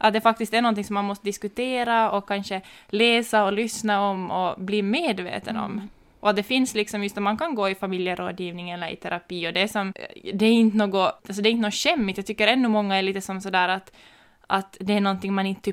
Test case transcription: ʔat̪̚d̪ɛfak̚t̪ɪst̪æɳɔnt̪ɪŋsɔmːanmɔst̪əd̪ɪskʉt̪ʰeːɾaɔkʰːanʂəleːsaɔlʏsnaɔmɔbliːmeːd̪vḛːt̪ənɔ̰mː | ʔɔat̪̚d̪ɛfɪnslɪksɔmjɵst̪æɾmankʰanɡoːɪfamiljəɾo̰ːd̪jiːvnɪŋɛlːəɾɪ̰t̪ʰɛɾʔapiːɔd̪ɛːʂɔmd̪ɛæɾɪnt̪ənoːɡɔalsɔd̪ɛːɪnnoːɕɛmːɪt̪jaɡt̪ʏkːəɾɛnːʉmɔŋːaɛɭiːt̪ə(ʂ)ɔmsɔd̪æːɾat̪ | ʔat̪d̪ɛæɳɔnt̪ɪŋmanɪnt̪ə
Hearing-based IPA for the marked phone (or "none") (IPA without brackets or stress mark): s